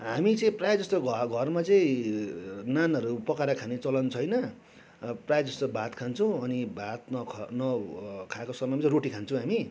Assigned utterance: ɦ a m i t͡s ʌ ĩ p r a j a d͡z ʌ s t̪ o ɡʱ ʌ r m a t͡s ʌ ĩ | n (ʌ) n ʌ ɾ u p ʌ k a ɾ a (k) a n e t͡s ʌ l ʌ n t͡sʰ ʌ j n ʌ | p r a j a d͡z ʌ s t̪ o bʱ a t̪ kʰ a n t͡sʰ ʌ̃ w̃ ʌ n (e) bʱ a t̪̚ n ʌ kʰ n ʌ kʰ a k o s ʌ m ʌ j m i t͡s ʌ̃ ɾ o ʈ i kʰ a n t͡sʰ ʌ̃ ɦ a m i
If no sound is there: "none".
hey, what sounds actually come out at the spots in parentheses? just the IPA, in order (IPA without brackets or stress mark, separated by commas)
a, kʰ, i